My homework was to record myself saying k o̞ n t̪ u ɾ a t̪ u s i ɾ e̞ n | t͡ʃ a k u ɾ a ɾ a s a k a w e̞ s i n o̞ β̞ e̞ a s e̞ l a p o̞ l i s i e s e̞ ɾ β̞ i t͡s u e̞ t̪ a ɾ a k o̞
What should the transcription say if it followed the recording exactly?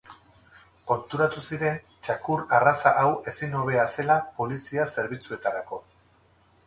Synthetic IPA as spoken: k o̞ n t̪ u ɾ a t̪ u s i ɾ e̞ n | t͡ʃ a k u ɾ a r a s a ʔ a w e̞ s i n o̞ β̞ e̞ a s e̞ l a p o̞ l i s i a s e̞ ɾ β̞ i t͡s u e̞ t̪ a ɾ a k o̞